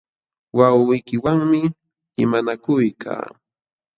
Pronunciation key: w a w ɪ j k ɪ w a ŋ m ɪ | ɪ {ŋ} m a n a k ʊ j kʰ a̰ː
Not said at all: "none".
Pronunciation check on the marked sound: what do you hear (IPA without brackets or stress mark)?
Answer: none